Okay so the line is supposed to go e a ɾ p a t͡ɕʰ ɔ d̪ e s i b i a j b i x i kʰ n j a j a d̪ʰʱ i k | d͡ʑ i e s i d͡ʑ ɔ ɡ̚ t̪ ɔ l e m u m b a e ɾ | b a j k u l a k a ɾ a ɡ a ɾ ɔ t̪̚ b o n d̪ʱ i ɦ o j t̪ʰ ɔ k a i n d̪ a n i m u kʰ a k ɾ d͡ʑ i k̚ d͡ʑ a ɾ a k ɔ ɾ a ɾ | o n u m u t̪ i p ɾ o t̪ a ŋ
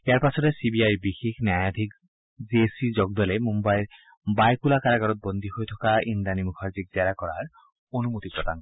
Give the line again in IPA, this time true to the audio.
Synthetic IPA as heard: e a ɾ p a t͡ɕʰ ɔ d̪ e s i b i a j b i x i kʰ n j a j a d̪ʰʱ i k | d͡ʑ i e s i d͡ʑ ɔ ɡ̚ d̪ ɔ l e m u m b a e ɾ | b a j k u l a k a ɾ a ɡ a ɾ ɔ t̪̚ b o n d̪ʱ i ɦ o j t̪ʰ ɔ k a i n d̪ a n i m u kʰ a ɾ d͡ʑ i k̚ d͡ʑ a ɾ a k ɔ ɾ a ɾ | o n u m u t̪ i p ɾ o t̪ a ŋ